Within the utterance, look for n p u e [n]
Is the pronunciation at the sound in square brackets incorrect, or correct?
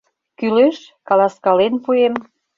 incorrect